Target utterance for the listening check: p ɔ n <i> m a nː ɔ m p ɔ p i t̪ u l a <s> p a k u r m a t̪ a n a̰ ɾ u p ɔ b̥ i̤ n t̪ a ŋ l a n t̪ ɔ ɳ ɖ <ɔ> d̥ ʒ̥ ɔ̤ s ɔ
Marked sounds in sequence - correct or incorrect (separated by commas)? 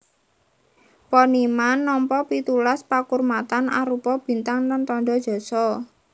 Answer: correct, correct, correct